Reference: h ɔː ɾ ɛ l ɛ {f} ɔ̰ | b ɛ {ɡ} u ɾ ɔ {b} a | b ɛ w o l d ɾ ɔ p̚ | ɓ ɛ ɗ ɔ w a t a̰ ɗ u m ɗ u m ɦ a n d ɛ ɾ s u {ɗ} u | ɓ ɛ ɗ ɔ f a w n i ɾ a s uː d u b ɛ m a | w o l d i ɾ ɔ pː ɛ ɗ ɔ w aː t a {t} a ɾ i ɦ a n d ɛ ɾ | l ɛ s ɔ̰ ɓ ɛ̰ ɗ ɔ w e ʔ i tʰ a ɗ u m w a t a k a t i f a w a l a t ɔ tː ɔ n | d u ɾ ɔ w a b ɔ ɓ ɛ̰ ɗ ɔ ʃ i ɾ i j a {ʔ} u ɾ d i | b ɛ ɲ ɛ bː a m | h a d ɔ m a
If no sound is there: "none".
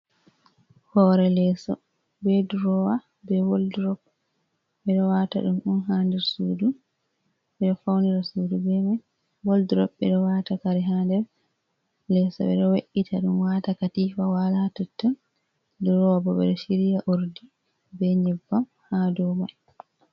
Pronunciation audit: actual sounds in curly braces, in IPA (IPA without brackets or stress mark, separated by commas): s, d, w, d, k, ʔ